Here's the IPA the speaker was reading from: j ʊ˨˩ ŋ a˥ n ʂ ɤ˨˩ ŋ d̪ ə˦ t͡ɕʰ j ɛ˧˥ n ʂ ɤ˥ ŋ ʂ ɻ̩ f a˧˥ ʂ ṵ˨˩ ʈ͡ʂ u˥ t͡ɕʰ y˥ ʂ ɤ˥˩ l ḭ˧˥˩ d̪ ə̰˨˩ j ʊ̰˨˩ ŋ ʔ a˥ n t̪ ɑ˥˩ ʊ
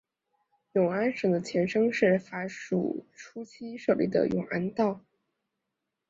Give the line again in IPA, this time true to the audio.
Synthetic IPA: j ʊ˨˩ ŋ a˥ n ʂ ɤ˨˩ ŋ d̪ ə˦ t͡ɕʰ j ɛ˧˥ n ʂ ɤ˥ ŋ ʂ ɻ̩ f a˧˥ ʂ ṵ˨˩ ʈ͡ʂʰ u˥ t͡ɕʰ i˥ ʂ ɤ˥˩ l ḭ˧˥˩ d̪ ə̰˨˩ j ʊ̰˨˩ ŋ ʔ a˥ n t̪ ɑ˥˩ ʊ